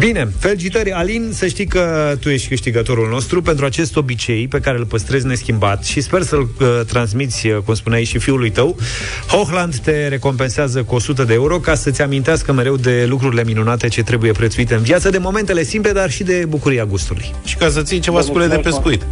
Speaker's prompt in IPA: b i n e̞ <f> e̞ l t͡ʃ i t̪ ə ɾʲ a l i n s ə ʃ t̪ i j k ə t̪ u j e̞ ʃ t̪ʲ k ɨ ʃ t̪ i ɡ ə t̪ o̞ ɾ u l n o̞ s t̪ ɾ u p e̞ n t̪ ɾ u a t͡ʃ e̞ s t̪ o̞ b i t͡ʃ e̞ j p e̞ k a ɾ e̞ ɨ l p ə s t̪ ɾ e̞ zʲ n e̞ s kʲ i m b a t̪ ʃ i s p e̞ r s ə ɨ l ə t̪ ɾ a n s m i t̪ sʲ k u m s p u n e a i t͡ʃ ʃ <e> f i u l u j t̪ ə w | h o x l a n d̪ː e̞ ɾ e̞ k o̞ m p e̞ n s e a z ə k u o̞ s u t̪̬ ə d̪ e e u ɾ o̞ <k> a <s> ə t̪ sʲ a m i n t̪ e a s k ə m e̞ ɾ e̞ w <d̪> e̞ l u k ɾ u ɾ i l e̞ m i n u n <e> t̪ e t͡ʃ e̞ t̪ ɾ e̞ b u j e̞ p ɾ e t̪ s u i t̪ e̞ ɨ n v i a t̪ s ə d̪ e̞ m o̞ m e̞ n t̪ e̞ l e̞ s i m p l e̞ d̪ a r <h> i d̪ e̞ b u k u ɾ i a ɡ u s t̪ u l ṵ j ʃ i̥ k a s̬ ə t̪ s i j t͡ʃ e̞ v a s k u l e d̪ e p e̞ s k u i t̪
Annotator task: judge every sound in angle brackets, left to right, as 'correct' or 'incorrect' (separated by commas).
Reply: correct, incorrect, correct, correct, correct, incorrect, incorrect